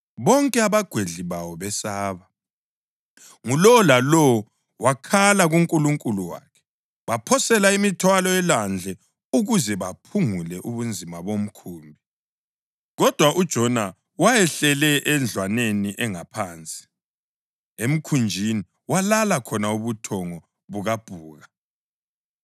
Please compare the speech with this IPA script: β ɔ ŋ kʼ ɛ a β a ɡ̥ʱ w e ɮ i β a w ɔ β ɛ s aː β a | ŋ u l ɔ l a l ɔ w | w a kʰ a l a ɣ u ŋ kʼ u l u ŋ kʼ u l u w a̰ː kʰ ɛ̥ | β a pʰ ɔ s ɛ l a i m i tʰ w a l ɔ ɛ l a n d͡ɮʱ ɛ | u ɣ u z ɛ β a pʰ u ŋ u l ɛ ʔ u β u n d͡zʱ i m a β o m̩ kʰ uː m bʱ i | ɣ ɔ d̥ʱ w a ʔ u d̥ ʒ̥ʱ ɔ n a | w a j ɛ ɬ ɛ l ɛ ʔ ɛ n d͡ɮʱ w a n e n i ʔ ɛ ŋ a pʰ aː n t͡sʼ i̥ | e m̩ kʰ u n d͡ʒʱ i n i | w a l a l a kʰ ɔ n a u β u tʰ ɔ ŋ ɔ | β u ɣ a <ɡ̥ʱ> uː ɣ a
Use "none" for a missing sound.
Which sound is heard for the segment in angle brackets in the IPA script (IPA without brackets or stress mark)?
b̥ʱ